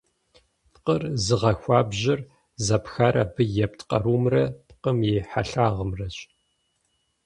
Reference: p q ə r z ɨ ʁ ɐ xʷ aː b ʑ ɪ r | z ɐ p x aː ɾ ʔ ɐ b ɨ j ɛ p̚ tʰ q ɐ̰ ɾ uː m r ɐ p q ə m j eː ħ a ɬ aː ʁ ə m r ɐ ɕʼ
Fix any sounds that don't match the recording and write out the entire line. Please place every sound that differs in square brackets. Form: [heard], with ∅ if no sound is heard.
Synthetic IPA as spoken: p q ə r z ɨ ʁ ɐ xʷ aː b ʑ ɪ r | z ɐ p x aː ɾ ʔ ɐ b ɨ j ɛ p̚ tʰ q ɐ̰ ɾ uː m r ɐ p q ə m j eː ħ a ɬ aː ʁ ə m r ɐ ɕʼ